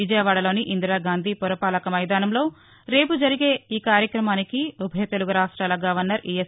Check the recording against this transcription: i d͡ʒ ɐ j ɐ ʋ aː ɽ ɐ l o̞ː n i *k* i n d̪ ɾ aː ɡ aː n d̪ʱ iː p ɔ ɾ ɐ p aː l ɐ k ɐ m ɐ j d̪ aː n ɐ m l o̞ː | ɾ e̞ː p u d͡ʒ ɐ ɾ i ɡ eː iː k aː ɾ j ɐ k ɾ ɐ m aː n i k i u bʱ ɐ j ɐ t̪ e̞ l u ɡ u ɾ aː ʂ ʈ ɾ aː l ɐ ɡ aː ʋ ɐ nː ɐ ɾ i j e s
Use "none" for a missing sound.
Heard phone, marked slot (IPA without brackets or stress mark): ʔ